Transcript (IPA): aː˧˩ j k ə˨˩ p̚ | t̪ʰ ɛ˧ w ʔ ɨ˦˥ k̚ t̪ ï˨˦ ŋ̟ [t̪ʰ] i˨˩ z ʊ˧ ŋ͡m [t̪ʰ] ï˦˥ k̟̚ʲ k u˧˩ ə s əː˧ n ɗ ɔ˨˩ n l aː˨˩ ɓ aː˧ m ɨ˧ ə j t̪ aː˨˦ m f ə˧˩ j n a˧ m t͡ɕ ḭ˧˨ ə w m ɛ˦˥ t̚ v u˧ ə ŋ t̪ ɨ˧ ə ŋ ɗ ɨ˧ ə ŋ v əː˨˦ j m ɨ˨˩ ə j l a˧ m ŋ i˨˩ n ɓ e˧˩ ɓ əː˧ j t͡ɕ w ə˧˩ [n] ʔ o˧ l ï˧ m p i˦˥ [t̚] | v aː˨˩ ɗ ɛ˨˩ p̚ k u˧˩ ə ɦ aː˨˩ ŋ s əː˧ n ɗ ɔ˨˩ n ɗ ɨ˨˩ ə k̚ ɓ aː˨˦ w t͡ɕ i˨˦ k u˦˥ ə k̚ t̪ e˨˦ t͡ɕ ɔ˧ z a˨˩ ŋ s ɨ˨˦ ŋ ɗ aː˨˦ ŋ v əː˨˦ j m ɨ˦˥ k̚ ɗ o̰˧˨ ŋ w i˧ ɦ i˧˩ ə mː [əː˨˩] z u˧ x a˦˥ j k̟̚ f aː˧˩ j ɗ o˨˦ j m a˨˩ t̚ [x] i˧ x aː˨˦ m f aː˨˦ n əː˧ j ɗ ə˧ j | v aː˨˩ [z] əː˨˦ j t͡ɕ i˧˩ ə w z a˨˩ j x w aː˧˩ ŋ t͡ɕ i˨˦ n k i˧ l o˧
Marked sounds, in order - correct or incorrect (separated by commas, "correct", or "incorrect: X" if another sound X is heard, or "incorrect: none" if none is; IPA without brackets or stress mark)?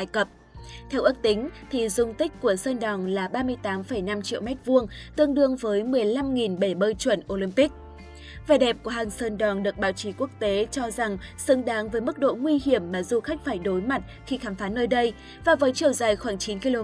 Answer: correct, incorrect: t̪, correct, incorrect: k̚, incorrect: aː˨˩, correct, incorrect: v